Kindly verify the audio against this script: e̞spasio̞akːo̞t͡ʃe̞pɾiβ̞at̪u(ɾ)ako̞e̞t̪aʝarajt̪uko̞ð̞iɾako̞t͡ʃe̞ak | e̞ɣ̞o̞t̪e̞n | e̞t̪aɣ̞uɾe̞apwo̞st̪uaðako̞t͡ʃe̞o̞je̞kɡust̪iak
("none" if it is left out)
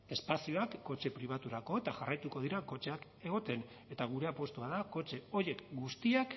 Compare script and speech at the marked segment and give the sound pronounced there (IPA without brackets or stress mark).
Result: ɾ